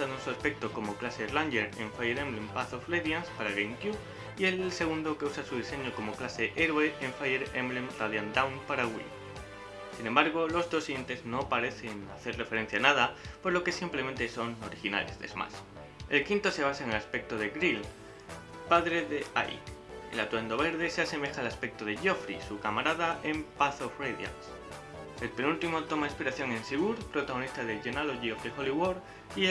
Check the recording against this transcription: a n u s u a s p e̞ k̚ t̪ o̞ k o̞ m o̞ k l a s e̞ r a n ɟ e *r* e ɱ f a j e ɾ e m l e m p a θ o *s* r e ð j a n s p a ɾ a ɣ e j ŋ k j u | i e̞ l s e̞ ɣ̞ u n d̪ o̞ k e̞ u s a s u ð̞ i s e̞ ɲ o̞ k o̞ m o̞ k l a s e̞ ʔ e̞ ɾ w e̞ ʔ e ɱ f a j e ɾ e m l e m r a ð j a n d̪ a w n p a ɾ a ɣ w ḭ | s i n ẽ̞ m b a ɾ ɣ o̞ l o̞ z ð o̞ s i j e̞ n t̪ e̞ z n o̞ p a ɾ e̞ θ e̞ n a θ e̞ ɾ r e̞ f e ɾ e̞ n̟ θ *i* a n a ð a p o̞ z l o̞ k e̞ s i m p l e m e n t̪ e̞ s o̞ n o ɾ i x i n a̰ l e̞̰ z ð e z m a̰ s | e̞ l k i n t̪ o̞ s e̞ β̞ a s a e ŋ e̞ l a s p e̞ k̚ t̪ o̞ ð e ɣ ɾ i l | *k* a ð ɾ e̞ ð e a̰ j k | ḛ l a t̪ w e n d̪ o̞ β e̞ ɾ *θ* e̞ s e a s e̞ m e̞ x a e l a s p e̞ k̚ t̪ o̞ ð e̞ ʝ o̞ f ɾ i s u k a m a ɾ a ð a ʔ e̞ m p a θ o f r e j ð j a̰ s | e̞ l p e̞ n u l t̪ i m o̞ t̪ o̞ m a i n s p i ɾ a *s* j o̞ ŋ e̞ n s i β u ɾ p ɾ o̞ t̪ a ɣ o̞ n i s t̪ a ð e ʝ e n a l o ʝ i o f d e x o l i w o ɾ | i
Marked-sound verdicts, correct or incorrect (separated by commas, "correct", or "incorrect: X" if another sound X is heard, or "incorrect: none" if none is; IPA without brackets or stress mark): incorrect: ɾ, incorrect: f, incorrect: j, incorrect: p, incorrect: ð, incorrect: θ